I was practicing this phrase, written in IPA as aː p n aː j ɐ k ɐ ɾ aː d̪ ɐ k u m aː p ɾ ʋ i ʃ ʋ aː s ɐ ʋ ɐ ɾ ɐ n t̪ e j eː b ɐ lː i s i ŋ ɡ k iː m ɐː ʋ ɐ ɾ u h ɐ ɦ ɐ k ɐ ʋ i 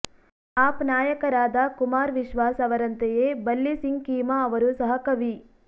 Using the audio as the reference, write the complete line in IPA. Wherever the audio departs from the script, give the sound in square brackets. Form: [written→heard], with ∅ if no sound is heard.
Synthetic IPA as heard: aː p n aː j ɐ k ɐ ɾ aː d̪ ɐ k u m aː [p→∅] ɾ ʋ i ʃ ʋ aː s ɐ ʋ ɐ ɾ ɐ n t̪ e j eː b ɐ lː i s i ŋ ɡ k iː m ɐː ʋ ɐ ɾ u [h→s] ɐ ɦ ɐ k ɐ ʋ i

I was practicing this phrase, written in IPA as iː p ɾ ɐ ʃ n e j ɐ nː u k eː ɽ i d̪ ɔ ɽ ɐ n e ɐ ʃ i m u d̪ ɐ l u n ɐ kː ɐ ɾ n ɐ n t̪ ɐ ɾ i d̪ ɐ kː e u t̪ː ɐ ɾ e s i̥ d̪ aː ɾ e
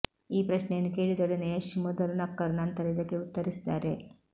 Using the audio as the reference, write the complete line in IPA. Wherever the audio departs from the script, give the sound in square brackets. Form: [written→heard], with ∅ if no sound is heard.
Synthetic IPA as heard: iː p ɾ ɐ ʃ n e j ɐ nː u k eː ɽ i d̪ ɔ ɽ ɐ n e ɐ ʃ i m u d̪ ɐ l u n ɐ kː ɐ ɾ n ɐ n t̪ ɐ ɾ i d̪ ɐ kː e u t̪ː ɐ ɾ [e→i] s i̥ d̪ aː ɾ e

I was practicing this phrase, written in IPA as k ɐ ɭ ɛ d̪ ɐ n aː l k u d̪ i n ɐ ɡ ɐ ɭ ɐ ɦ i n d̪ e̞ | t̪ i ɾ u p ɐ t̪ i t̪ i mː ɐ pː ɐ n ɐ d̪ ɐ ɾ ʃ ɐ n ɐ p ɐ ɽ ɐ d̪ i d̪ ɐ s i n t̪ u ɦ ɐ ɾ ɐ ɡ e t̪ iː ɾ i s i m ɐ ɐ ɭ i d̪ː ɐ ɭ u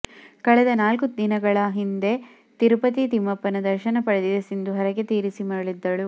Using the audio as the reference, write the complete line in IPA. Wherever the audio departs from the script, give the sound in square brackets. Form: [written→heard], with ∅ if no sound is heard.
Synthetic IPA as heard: k ɐ ɭ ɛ d̪ ɐ n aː l k u d̪ i n ɐ ɡ ɐ ɭ ɐ ɦ i n d̪ e̞ | t̪ i ɾ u p ɐ t̪ i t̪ i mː ɐ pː ɐ n ɐ d̪ ɐ ɾ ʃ ɐ n ɐ p ɐ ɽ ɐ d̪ i d̪ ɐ s i n [t̪→d̪] u ɦ ɐ ɾ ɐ ɡ e t̪ iː ɾ i s i m ɐ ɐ ɭ i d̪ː ɐ ɭ u

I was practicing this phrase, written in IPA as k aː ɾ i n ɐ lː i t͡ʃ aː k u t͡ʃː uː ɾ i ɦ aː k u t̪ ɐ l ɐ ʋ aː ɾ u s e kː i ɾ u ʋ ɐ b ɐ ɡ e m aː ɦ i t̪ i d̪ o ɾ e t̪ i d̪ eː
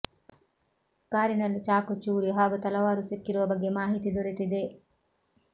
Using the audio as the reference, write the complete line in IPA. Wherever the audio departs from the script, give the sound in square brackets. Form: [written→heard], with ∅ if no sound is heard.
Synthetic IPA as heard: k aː ɾ i n ɐ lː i t͡ʃ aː k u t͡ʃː uː ɾ i ɦ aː [k→ɡ] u t̪ ɐ l ɐ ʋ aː ɾ u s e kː i ɾ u ʋ ɐ b ɐ ɡ e m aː ɦ i t̪ i d̪ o ɾ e t̪ i d̪ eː

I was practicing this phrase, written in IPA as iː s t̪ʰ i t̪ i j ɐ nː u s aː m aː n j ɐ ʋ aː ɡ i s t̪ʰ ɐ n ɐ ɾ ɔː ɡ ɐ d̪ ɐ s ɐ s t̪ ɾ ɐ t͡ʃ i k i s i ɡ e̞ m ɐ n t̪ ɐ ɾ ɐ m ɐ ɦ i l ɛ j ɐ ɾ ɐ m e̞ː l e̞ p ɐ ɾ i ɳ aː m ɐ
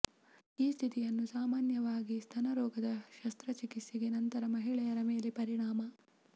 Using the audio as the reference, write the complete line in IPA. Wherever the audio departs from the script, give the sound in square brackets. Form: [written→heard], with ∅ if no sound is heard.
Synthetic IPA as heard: iː s t̪ʰ i t̪ i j ɐ nː u s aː m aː n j ɐ ʋ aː ɡ i s t̪ʰ ɐ n ɐ ɾ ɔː ɡ ɐ d̪ ɐ [s→ʃ] ɐ s t̪ ɾ ɐ t͡ʃ i k i s i ɡ e̞ [m→n] ɐ n t̪ ɐ ɾ ɐ m ɐ ɦ i [l→ɭ] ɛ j ɐ ɾ ɐ m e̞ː l e̞ p ɐ ɾ i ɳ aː m ɐ

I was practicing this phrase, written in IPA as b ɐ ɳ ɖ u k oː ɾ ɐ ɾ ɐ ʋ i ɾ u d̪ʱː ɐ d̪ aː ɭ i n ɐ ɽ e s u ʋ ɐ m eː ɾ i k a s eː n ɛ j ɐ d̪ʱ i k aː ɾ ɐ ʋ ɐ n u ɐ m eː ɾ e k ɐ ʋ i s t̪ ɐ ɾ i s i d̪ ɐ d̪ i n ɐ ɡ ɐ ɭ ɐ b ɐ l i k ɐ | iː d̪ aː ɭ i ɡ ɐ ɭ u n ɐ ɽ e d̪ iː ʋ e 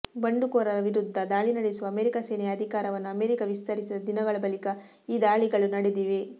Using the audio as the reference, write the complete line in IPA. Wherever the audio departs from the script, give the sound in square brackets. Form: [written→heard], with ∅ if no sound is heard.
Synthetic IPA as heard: b ɐ ɳ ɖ u k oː ɾ ɐ ɾ ɐ ʋ i ɾ u d̪ʱː ɐ d̪ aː ɭ i n ɐ ɽ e s u ʋ ɐ m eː ɾ i k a s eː n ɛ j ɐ d̪ʱ i k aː ɾ ɐ ʋ ɐ [n→nː] u ɐ m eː ɾ [e→i] k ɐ ʋ i s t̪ ɐ ɾ i s i d̪ ɐ d̪ i n ɐ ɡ ɐ ɭ ɐ b ɐ l i k ɐ | iː d̪ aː ɭ i ɡ ɐ ɭ u n ɐ ɽ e d̪ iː ʋ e

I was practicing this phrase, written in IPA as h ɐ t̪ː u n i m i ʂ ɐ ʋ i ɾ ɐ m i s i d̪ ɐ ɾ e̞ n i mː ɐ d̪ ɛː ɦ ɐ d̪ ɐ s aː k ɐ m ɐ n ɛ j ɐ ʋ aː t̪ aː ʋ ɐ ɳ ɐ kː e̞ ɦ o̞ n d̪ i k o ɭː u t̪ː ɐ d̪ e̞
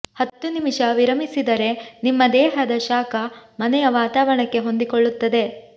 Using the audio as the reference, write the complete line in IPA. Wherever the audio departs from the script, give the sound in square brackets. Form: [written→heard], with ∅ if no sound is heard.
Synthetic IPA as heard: h ɐ t̪ː u n i m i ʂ ɐ ʋ i ɾ ɐ m i s i d̪ ɐ ɾ e̞ n i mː ɐ d̪ ɛː ɦ ɐ d̪ ɐ [s→ʃ] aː k ɐ m ɐ n ɛ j ɐ ʋ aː t̪ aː ʋ ɐ ɳ ɐ kː e̞ ɦ o̞ n d̪ i k o ɭː u t̪ː ɐ d̪ e̞

